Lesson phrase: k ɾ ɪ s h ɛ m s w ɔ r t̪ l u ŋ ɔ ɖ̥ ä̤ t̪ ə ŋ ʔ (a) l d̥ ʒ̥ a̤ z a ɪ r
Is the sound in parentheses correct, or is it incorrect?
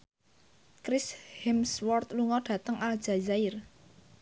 correct